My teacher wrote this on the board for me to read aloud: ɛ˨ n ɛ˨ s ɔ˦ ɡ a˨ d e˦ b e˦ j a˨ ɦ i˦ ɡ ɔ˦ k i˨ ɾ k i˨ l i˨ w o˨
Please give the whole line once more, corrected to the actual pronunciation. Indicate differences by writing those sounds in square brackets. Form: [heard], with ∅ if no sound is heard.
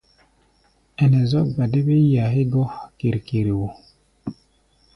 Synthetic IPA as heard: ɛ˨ n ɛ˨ [z] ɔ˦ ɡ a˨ d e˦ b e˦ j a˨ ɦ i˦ ɡ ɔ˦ k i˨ ɾ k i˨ [ɾ] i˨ w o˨